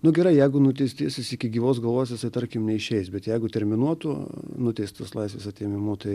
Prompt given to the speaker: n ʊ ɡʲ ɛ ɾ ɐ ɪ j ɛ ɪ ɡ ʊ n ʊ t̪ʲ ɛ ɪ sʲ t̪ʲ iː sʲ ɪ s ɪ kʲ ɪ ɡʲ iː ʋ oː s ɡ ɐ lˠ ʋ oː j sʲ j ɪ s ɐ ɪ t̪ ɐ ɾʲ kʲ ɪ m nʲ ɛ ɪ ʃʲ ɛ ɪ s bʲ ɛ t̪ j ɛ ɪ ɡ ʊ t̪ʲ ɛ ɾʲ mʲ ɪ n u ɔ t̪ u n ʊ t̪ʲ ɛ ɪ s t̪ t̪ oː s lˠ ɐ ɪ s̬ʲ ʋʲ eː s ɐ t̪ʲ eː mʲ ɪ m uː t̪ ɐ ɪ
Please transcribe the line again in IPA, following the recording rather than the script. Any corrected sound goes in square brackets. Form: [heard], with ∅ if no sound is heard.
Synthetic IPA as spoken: n ʊ ɡʲ ɛ ɾ ɐ ɪ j ɛ ɪ ɡ ʊ n ʊ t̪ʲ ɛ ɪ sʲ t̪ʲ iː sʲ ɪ s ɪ kʲ ɪ ɡʲ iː ʋ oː s ɡ ɐ lˠ ʋ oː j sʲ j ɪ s ɐ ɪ t̪ ɐ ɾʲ kʲ ɪ m nʲ ɛ ɪ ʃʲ ɛ ɪ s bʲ ɛ t̪ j ɛ ɪ ɡ ʊ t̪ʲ ɛ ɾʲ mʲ ɪ n u ɔ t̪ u n ʊ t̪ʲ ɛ ɪ s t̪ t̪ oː s lˠ ɐ ɪ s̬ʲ ʋʲ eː s ɐ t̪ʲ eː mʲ ɪ m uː t̪ ɐ ɪ